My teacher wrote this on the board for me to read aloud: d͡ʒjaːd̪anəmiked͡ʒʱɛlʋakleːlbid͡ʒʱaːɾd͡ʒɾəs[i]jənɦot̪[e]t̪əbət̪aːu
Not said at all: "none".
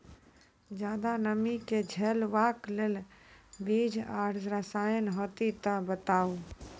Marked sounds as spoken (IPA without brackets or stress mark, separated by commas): a, i